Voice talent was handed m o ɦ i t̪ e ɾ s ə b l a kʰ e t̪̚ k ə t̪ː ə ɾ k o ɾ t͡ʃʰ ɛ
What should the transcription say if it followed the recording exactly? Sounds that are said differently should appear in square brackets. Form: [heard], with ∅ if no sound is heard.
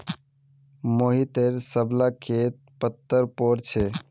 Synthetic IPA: m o ɦ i t̪ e ɾ s ə b l a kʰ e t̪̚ [p] ə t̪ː ə ɾ [p] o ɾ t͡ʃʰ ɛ

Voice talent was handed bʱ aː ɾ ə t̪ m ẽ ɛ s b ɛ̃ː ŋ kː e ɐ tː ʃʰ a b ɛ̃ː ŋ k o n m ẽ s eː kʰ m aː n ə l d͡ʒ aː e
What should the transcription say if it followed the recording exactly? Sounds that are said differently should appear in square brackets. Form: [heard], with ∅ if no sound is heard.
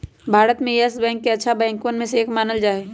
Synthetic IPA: bʱ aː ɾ ə t̪ m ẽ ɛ s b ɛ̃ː ŋ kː e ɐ tː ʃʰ a b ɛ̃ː ŋ k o n m ẽ s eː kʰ m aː n ə l d͡ʒ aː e

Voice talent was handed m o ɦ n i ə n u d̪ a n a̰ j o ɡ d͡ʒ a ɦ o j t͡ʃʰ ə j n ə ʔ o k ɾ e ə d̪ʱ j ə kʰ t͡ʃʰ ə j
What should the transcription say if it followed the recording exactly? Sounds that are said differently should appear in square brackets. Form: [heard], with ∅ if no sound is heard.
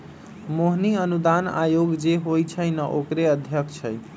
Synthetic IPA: m o ɦ n i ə n u d̪ a n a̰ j o ɡ d͡ʒ [e] ɦ o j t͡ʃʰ ə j n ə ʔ o k ɾ e ə d̪ʱ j ə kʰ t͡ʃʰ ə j

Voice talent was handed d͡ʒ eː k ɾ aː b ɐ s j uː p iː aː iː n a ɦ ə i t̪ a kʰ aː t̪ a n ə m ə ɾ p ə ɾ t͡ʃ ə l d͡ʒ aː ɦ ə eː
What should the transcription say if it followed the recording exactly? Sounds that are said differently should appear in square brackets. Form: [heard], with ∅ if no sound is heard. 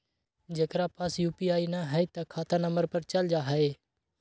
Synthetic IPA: d͡ʒ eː k ɾ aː [p] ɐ s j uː p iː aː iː n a ɦ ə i t̪ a kʰ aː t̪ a n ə m ə ɾ p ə ɾ t͡ʃ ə l d͡ʒ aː ɦ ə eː

